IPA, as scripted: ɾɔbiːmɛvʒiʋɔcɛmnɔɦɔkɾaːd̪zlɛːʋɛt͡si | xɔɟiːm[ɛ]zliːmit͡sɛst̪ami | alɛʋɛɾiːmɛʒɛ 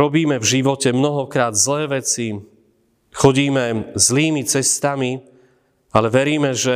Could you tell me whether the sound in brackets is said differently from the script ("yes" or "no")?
no